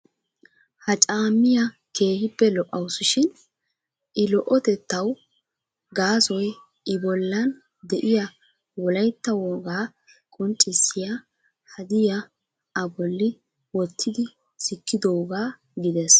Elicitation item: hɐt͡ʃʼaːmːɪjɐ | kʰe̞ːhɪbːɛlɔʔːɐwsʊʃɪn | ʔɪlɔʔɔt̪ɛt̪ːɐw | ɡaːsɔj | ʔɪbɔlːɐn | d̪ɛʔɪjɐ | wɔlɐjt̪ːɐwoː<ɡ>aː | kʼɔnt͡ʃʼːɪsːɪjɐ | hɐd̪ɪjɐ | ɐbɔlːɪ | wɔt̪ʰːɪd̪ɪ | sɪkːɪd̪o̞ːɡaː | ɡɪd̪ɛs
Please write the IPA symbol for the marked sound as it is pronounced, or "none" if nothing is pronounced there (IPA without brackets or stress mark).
ɡ